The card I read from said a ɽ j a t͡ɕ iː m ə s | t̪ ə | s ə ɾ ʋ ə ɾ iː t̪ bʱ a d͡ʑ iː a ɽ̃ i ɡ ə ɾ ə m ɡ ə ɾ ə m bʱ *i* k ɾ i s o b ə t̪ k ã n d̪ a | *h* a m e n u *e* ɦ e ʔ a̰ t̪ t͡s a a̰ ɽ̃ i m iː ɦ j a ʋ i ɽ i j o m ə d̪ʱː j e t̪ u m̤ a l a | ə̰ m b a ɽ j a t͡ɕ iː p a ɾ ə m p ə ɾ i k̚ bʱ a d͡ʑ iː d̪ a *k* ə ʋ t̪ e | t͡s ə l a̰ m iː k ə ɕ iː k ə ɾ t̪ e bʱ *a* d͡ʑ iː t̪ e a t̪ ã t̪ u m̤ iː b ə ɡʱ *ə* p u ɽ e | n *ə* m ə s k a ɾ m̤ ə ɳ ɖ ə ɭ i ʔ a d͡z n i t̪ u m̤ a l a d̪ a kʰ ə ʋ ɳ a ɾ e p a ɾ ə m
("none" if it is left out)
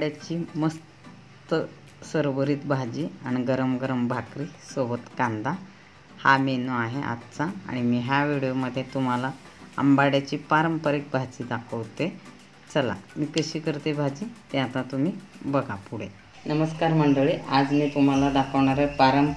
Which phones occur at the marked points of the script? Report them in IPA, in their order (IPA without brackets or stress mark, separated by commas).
a, h, a, kʰ, a, a, ə